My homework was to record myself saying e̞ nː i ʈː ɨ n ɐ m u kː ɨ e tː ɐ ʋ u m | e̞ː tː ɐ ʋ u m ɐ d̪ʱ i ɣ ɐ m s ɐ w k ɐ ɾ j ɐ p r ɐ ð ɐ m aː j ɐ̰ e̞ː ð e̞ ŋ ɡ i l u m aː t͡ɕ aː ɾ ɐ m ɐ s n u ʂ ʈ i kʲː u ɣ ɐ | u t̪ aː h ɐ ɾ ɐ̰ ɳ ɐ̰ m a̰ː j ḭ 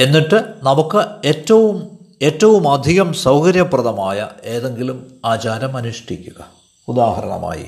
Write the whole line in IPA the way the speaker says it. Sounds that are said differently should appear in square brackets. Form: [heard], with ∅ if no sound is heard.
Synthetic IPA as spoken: e̞ nː i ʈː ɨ n ɐ m u kː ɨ e tː ɐ ʋ u m | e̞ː tː ɐ ʋ u m ɐ d̪ʱ i ɣ ɐ m s ɐ w k ɐ ɾ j ɐ p r ɐ ð ɐ m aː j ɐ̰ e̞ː ð e̞ ŋ ɡ i l u m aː t͡ɕ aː ɾ ɐ m ɐ [∅] n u ʂ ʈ i kʲː u ɣ ɐ | u [d̪] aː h ɐ ɾ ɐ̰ ɳ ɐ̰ m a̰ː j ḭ